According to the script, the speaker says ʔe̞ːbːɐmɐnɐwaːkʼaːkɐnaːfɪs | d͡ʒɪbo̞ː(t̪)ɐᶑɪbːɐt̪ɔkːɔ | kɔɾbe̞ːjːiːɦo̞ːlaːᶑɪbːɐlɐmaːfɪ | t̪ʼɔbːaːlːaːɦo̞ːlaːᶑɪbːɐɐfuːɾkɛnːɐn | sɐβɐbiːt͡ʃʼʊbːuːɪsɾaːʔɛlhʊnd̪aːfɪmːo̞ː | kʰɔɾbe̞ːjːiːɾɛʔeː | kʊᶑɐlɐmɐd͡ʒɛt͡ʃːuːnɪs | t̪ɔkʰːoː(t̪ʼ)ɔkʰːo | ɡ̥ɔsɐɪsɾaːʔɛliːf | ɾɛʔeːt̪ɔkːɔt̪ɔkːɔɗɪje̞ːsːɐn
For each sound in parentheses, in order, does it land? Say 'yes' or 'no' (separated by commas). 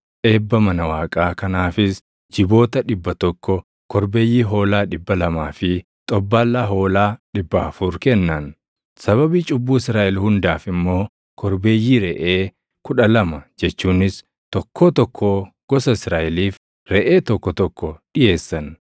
yes, no